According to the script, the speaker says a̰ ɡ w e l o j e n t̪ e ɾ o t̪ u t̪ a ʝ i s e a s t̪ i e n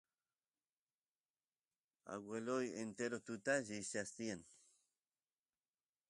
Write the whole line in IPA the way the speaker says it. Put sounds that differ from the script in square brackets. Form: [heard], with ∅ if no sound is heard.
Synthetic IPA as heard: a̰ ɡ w e l o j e n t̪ e ɾ o t̪ u t̪ a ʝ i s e a s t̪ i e n